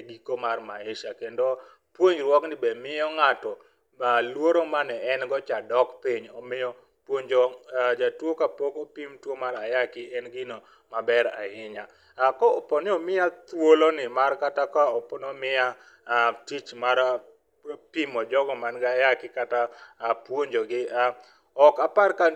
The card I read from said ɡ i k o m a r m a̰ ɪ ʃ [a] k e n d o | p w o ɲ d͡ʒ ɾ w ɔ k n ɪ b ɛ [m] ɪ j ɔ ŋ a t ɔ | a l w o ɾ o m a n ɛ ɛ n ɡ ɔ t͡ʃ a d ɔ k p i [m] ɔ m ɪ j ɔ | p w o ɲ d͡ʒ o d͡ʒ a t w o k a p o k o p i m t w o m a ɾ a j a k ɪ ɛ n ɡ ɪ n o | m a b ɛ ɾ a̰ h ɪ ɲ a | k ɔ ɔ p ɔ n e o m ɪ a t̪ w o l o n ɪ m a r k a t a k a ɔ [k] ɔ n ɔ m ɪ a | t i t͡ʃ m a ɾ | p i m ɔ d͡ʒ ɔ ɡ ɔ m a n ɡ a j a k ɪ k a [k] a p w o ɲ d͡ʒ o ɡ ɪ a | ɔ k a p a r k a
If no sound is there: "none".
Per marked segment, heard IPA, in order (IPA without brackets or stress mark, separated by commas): a, m, ɲ, p, t